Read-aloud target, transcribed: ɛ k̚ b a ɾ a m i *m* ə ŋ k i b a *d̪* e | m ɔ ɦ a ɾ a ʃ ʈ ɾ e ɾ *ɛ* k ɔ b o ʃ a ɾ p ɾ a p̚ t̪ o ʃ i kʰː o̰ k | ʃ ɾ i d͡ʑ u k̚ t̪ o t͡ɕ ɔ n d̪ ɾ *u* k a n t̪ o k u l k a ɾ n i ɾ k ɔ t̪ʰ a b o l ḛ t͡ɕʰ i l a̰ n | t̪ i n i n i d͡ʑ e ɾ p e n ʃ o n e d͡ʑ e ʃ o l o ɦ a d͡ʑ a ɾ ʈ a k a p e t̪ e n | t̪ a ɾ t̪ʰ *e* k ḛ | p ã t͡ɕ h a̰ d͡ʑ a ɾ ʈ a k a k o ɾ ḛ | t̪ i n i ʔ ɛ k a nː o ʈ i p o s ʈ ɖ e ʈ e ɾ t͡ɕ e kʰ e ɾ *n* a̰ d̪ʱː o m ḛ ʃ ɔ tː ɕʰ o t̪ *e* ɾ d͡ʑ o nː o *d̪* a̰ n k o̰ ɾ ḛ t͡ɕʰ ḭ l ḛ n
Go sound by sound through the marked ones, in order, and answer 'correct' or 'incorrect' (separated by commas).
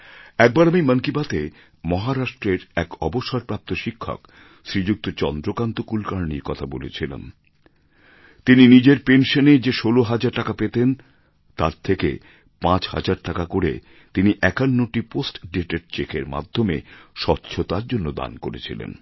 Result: correct, incorrect, correct, incorrect, correct, incorrect, incorrect, correct